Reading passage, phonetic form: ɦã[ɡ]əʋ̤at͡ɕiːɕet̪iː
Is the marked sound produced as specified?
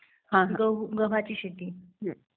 yes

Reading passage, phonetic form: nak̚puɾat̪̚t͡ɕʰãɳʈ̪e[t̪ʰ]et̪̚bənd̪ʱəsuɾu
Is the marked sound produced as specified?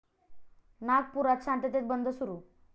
no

